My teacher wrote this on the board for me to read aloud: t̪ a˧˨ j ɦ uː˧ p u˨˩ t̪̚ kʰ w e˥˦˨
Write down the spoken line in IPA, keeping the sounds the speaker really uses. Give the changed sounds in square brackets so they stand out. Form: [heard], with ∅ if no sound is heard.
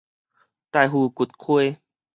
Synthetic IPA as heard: t̪ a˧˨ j ɦ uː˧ [k] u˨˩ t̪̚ kʰ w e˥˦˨